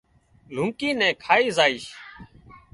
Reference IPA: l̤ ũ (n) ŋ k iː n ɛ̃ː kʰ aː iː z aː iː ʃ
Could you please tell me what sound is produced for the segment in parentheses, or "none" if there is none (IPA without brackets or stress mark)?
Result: none